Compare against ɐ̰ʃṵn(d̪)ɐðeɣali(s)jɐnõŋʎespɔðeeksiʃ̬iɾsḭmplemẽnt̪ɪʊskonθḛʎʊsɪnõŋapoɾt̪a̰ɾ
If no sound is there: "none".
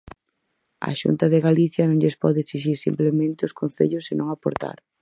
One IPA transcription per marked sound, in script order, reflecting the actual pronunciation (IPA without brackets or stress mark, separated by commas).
t̪, θ